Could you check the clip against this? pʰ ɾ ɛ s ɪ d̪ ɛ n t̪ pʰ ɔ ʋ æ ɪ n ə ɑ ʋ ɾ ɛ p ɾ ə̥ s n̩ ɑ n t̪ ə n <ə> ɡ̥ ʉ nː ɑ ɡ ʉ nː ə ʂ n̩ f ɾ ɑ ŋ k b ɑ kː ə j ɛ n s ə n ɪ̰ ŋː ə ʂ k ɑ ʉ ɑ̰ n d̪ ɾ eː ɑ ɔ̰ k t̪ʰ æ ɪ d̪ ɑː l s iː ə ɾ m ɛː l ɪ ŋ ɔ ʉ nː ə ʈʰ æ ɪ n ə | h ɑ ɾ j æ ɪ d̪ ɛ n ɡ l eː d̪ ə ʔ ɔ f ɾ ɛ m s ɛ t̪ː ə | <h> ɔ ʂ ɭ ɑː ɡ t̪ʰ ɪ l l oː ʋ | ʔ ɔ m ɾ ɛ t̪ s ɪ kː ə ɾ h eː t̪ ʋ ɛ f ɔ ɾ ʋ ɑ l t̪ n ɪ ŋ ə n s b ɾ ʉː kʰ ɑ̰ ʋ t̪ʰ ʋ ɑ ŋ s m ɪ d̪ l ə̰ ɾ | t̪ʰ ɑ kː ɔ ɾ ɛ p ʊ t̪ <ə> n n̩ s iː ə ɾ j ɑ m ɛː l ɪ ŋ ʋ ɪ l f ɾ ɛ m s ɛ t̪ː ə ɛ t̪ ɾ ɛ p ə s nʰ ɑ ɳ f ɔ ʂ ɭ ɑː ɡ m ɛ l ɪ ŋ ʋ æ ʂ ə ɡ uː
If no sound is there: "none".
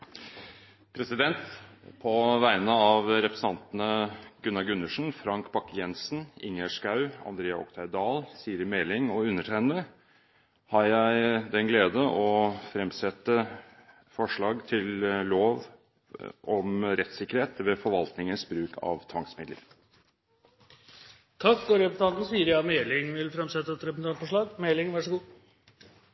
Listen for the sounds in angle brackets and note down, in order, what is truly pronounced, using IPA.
ə, f, ɑ

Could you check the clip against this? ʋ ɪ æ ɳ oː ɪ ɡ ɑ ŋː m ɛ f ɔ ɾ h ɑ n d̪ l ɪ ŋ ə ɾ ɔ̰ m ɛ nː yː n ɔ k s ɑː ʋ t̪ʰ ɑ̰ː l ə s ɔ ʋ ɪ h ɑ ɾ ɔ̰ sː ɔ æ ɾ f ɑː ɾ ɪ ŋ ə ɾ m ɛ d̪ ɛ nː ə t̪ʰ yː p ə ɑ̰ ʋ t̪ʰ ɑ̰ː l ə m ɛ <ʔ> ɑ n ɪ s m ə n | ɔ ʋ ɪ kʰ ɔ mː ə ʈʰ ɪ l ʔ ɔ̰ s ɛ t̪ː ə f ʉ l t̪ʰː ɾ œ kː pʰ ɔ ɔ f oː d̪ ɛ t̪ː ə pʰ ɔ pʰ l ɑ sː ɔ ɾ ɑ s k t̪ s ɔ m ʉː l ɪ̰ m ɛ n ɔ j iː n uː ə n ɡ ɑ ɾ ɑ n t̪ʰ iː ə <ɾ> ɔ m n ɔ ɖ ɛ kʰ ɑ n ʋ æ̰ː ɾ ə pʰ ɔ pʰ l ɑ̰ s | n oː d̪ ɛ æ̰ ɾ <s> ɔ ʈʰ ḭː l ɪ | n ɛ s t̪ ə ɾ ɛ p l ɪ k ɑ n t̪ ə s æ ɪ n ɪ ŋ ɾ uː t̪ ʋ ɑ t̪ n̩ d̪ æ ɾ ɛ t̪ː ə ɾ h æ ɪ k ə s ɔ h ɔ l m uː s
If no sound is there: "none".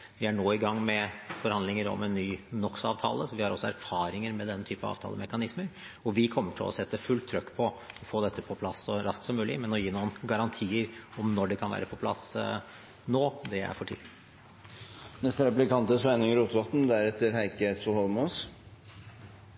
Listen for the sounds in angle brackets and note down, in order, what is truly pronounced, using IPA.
k, ɾ, f

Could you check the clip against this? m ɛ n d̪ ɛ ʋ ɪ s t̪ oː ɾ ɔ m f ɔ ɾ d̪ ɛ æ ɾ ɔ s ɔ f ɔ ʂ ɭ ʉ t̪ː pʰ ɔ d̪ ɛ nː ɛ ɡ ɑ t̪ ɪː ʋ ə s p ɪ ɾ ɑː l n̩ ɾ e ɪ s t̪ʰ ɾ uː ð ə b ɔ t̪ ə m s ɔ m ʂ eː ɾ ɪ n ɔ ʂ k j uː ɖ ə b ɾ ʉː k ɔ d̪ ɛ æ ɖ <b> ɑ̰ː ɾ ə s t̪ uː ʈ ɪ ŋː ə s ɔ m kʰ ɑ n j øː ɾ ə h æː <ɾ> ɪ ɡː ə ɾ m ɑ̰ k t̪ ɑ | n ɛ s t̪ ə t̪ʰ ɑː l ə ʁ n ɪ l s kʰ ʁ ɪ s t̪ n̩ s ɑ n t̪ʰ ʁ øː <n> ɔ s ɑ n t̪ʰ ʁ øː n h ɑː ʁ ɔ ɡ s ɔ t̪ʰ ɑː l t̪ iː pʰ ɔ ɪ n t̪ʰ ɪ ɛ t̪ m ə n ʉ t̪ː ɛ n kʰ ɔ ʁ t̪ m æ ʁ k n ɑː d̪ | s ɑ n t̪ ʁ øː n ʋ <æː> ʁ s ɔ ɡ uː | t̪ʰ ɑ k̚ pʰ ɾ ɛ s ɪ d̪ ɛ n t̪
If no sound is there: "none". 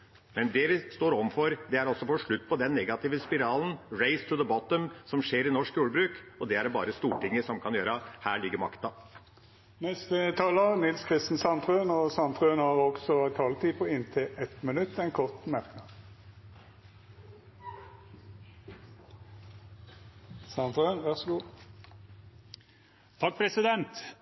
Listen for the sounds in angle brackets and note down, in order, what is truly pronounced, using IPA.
b, ɭ, n, æ

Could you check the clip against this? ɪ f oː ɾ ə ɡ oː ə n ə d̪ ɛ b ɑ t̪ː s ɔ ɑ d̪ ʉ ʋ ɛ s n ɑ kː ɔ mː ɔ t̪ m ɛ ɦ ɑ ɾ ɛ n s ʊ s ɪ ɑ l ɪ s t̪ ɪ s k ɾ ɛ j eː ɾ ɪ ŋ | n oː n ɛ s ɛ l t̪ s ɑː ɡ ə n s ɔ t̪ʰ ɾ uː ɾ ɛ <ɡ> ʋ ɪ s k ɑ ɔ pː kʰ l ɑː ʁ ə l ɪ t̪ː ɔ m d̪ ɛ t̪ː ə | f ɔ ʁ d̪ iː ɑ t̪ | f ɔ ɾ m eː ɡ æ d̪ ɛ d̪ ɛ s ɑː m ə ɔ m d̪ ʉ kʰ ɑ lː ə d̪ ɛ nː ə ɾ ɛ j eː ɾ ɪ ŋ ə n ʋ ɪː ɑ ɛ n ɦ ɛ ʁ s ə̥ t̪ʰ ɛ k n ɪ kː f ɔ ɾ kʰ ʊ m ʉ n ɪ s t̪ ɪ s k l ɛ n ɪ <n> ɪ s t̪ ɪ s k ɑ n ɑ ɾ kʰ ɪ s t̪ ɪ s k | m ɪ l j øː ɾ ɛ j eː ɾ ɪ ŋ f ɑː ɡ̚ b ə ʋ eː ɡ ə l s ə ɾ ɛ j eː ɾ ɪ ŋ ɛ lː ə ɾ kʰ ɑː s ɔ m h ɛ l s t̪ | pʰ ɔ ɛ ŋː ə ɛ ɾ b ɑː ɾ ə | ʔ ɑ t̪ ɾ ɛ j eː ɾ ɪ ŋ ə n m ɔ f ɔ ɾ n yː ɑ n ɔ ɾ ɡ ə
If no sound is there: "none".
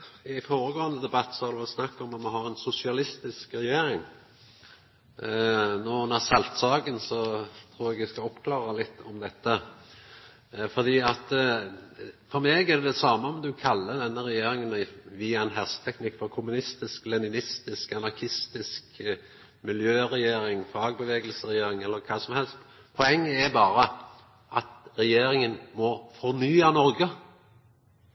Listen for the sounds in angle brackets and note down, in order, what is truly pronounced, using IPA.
ɡ, n

